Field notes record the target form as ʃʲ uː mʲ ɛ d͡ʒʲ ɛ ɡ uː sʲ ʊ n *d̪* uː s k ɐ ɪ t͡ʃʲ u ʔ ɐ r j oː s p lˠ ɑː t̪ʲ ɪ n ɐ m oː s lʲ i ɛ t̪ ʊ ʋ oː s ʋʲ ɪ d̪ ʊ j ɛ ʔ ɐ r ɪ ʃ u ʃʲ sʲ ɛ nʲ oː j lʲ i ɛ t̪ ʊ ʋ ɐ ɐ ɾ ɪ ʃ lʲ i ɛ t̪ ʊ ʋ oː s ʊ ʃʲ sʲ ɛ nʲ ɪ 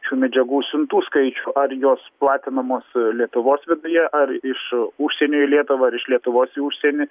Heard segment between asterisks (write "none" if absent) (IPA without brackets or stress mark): t̪